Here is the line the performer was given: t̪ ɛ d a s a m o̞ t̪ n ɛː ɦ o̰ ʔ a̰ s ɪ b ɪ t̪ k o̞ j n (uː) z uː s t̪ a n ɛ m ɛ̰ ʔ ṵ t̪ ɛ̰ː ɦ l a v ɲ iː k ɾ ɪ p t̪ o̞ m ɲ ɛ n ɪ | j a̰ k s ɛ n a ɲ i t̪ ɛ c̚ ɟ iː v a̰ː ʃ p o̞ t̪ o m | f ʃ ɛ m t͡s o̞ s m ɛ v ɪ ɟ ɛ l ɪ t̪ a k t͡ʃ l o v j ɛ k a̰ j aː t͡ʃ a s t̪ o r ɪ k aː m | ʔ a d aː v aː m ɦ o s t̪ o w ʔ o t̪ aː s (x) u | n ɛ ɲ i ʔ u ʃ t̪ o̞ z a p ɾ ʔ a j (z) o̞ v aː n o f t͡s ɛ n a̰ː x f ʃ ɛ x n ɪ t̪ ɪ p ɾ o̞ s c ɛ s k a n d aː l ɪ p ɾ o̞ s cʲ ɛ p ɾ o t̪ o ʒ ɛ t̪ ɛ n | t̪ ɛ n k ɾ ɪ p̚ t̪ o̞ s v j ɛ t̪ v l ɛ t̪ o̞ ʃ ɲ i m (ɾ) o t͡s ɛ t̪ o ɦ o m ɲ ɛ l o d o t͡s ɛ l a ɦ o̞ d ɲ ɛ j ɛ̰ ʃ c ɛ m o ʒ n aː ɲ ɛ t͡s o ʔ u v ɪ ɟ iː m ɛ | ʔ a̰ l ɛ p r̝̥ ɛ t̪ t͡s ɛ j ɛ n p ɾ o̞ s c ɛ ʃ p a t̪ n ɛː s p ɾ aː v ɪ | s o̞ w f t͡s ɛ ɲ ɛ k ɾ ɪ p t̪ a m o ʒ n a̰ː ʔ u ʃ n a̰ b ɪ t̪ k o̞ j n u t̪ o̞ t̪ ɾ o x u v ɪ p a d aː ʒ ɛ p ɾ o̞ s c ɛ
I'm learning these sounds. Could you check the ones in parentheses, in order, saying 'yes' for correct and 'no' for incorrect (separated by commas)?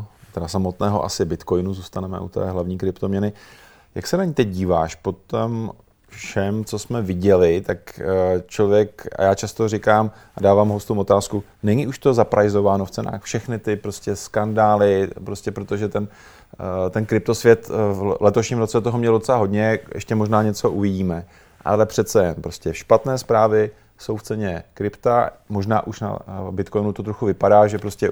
no, no, yes, yes